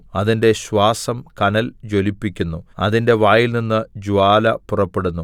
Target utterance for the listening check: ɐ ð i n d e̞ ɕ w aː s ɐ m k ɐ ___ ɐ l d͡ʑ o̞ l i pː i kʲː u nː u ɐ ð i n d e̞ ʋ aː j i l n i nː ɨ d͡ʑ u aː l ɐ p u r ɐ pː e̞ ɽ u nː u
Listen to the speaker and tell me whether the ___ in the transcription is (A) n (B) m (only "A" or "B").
A